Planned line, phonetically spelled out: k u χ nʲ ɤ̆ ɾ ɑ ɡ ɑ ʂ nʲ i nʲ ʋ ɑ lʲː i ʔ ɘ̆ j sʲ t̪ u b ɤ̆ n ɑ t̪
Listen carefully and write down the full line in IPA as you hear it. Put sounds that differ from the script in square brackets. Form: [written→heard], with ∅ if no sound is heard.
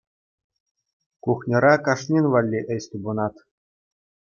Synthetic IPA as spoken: k u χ nʲ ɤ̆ ɾ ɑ [ɡ→k] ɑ ʂ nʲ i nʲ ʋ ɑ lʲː i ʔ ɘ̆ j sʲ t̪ u b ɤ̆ n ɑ t̪